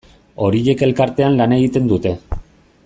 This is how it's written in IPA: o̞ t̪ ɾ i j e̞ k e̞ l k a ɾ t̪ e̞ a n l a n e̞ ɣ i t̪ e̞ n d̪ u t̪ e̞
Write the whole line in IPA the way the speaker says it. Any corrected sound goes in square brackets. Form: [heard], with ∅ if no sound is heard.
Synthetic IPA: o̞ [∅] ɾ i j e̞ k e̞ l k a ɾ t̪ e̞ a n l a n e̞ ɣ i t̪ e̞ n d̪ u t̪ e̞